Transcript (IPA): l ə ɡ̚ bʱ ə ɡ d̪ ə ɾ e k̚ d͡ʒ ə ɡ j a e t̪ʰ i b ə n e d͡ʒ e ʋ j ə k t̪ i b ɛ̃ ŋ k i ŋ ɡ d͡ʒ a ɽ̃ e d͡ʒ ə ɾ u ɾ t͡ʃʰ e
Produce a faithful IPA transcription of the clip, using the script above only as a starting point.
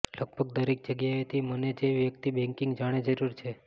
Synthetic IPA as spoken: l ə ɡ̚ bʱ ə ɡ d̪ ə ɾ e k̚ d͡ʒ ə ɡ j a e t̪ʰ i m ə n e d͡ʒ e ʋ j ə k t̪ i b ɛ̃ ŋ k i ŋ ɡ d͡ʒ a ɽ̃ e d͡ʒ ə ɾ u ɾ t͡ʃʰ e

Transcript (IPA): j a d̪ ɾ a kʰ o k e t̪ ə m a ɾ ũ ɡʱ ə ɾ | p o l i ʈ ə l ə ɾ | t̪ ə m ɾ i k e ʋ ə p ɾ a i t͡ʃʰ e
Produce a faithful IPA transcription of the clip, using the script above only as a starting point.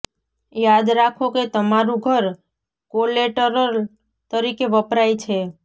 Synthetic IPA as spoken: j a d̪ ɾ a kʰ o k e t̪ ə m a ɾ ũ ɡʱ ə ɾ | k o l e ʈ ə ɾ ə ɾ | t̪ ə ɾ i k e ʋ ə p ɾ a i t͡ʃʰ e

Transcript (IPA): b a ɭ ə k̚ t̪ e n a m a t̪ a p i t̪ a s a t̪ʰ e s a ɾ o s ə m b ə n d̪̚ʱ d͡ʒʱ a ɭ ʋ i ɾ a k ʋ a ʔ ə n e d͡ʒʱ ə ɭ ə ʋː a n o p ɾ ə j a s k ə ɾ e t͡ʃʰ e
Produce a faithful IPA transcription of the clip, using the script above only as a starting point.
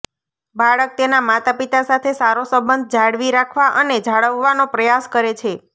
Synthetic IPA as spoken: b a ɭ ə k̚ t̪ e n a m a t̪ a p i t̪ a s a t̪ʰ e s a ɾ o s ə m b ə n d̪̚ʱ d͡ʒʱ a ɽ ʋ i ɾ a kʰ ʋ a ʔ ə n e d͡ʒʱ a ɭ ə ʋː a n o p ɾ ə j a s k ə ɾ e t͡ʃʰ e

